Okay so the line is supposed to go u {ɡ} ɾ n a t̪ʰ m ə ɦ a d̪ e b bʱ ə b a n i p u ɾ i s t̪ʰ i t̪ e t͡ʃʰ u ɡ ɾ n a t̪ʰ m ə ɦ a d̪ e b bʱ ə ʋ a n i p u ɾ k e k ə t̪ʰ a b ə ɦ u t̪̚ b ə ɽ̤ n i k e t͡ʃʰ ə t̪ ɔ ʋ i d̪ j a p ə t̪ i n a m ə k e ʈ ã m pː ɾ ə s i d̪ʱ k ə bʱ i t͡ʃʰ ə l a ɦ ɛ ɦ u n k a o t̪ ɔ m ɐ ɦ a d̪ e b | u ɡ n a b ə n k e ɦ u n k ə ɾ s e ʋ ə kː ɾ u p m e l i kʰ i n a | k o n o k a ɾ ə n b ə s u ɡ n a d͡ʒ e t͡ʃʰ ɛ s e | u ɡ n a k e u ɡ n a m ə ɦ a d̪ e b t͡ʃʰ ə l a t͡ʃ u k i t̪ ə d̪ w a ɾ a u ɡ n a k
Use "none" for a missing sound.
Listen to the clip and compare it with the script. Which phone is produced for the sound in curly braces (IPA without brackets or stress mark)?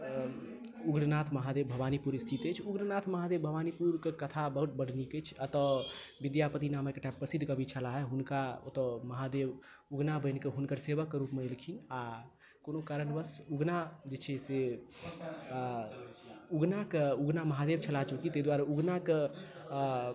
ɡ